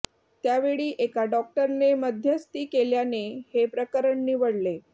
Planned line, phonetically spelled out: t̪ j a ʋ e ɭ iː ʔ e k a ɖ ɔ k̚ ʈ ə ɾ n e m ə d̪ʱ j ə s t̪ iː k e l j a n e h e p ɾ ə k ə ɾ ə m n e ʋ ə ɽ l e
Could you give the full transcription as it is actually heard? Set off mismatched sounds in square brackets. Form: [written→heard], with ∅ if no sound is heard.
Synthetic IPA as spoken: t̪ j a ʋ e ɭ iː ʔ e k a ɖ ɔ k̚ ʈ ə ɾ n e m ə d̪ʱ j ə s t̪ iː k e l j a n e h e p ɾ ə k ə ɾ ə [m→ɳ] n [e→i] ʋ ə ɽ l e